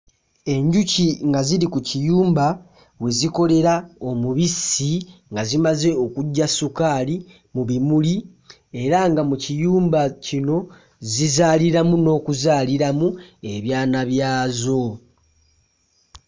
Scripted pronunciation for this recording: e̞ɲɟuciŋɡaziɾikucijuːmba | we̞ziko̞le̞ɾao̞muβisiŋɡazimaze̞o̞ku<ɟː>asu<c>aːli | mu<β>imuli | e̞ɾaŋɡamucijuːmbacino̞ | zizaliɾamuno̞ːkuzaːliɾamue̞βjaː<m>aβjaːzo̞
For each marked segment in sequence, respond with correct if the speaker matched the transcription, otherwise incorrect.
correct, incorrect, correct, incorrect

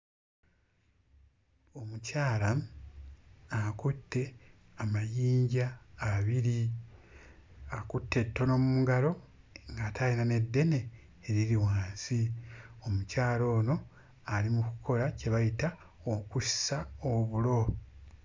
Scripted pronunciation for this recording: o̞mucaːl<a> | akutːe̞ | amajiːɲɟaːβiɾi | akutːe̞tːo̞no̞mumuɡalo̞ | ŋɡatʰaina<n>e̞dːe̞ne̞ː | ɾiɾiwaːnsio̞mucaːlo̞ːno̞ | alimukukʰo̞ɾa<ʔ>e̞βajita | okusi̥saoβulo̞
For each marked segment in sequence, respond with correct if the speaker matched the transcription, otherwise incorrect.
correct, correct, incorrect

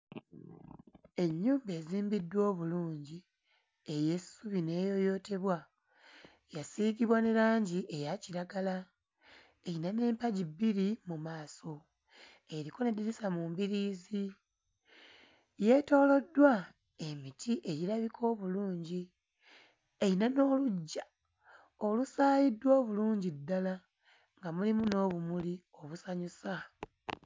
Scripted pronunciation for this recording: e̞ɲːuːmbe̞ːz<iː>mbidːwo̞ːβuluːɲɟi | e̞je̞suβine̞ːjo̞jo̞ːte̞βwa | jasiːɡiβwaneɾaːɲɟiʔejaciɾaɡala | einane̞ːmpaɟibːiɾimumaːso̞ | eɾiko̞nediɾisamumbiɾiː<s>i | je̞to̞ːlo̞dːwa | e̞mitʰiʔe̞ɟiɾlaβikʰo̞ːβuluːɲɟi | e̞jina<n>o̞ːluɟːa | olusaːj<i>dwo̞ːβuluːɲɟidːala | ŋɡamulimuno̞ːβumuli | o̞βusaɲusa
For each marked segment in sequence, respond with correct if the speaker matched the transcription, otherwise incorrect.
correct, incorrect, correct, correct

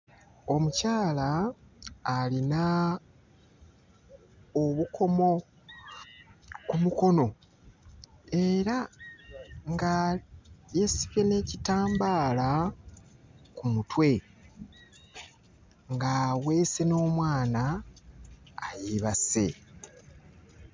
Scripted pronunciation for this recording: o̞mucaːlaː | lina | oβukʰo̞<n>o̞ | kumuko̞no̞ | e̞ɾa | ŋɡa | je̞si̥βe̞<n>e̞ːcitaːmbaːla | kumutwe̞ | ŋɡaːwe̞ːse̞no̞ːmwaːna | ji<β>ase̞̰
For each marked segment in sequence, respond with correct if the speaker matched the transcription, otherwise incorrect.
incorrect, correct, correct

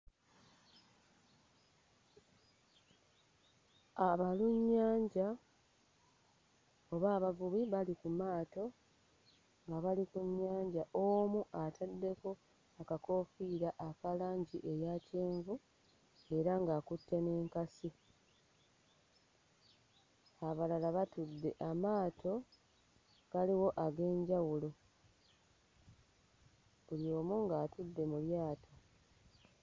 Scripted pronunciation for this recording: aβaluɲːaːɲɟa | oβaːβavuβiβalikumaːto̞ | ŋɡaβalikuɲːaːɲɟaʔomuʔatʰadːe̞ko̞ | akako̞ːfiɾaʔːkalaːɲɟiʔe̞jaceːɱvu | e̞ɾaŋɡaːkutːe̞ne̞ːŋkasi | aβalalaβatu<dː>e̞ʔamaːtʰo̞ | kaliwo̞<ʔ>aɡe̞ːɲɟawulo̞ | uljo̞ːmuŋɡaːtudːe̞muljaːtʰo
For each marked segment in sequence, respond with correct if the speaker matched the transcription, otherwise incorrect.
correct, correct

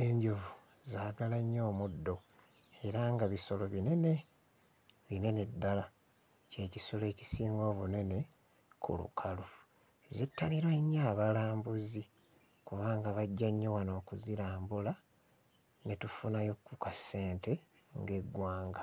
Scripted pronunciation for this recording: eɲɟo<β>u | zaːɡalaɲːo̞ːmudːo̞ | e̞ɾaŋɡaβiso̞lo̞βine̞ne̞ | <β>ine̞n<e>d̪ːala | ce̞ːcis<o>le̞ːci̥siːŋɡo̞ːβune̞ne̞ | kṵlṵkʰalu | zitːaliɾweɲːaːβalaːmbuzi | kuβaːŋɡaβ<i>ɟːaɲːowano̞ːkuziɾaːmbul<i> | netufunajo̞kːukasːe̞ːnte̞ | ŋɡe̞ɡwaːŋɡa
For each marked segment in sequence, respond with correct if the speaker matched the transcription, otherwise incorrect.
incorrect, correct, correct, correct, incorrect, incorrect

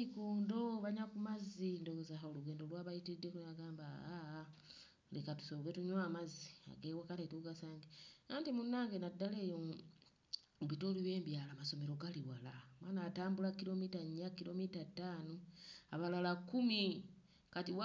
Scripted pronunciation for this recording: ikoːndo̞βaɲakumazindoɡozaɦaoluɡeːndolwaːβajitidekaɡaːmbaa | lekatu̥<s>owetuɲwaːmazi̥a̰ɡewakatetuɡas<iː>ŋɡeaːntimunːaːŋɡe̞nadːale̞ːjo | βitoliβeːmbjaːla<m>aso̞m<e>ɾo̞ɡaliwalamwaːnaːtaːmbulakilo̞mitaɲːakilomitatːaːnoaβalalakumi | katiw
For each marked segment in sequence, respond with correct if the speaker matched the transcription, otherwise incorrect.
correct, incorrect, correct, correct

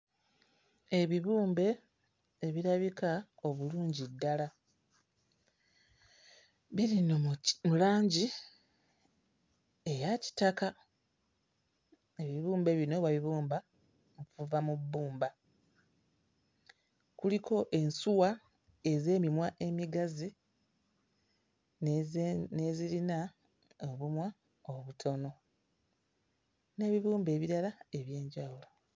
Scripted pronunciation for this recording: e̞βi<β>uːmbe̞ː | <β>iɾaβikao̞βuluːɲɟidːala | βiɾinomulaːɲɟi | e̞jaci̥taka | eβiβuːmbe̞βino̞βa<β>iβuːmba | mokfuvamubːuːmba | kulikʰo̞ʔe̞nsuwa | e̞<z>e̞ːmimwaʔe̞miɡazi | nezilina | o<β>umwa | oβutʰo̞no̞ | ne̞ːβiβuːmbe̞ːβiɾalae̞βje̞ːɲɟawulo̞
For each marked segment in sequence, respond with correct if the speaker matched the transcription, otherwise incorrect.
correct, correct, correct, correct, correct

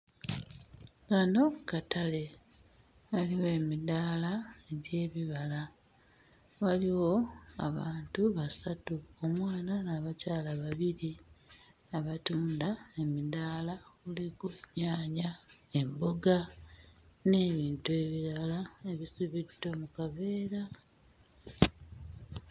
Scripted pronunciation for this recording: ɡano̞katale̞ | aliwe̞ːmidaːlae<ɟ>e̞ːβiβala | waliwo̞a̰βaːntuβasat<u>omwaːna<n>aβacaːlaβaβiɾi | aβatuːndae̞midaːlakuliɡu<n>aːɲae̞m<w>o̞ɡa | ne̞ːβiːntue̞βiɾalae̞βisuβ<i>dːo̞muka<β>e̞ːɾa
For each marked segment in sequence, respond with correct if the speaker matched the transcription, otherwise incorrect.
correct, correct, correct, incorrect, incorrect, correct, correct

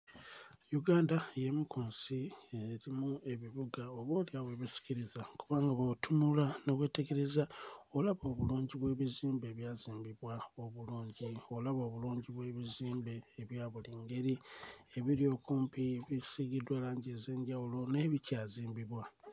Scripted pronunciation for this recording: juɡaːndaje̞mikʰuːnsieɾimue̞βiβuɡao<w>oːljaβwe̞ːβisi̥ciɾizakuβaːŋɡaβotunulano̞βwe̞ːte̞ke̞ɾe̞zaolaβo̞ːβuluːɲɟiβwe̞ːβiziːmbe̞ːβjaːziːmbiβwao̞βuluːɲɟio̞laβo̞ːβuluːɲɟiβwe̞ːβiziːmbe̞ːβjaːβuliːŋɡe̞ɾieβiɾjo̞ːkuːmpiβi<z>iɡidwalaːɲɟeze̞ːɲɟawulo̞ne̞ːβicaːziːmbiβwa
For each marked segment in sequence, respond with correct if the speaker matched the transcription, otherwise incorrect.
incorrect, incorrect

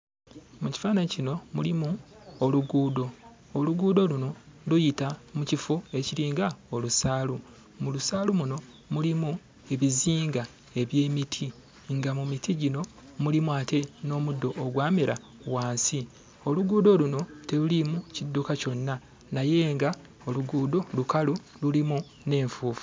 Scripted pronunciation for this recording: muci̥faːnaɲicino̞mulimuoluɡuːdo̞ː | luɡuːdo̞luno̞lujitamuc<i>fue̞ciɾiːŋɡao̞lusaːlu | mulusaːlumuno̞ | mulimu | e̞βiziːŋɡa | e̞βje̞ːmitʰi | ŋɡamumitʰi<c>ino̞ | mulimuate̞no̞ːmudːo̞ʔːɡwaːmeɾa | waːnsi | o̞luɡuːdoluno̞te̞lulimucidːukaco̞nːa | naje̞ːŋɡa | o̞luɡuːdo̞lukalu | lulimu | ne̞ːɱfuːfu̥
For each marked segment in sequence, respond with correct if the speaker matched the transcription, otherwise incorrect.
correct, incorrect

